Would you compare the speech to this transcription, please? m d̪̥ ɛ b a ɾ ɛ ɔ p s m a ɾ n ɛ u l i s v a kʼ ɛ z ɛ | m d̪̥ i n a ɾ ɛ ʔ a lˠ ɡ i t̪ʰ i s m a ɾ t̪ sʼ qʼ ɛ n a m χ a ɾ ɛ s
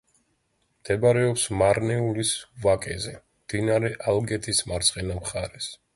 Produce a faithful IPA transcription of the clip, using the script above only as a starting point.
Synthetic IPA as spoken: m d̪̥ ɛ b a ɾ ɛ ɔ p s m a ɾ n ɛ u l i s v a kʼ ɛ z ɛ | m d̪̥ i n a ɾ ɛ ʔ a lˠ ɡ ɛ t̪ʰ i s m a ɾ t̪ sʼ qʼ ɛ n a m χ a ɾ ɛ s